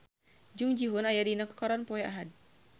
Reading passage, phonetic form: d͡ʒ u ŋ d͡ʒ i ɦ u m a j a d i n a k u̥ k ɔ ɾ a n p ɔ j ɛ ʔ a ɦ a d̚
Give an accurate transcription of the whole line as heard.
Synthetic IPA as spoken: d͡ʒ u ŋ d͡ʒ i ɦ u n a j a d i n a k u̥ k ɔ ɾ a n p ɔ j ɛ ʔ a ɦ a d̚